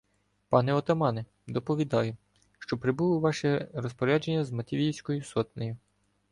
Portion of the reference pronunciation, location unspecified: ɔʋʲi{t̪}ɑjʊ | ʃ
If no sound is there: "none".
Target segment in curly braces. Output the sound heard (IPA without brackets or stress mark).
d̪